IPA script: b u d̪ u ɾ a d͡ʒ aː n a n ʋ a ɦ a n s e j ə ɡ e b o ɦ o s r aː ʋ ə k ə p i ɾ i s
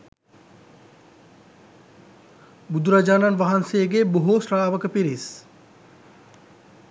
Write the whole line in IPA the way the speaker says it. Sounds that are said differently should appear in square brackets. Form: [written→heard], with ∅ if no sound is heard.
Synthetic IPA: b u d̪ u ɾ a d͡ʒ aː n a n ʋ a ɦ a n s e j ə ɡ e b o ɦ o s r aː ʋ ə k ə p i ɾ i s